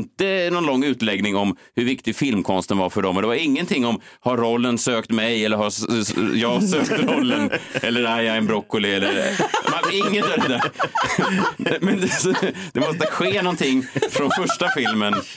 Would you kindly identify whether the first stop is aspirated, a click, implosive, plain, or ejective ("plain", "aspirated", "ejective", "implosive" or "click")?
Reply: plain